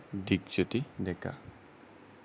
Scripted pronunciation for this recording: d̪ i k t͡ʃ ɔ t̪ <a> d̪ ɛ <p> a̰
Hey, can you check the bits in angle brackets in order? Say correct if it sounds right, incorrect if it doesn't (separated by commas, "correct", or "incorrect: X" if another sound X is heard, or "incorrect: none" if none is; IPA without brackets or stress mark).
incorrect: i, incorrect: k